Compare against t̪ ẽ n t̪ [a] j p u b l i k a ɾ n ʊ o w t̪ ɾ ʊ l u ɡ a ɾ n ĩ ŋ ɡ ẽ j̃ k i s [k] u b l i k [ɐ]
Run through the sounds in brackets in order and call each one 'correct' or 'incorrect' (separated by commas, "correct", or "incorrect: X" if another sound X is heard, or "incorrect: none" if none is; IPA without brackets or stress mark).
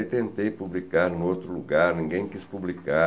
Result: incorrect: e, incorrect: p, incorrect: a